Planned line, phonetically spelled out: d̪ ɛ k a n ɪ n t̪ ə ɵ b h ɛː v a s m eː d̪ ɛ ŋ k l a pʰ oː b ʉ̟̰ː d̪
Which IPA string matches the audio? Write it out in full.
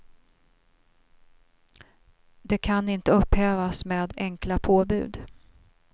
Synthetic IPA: d̪ ɛ kʰ a n ɪ n t̪ ə ɵ p h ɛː v a s m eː d̪ ɛ ŋ k l a pʰ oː b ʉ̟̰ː d̪